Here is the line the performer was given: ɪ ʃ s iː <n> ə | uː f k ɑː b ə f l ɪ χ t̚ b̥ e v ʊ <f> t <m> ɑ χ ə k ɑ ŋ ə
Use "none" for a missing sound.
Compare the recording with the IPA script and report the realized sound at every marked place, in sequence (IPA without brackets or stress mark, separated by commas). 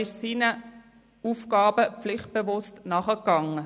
n, s, n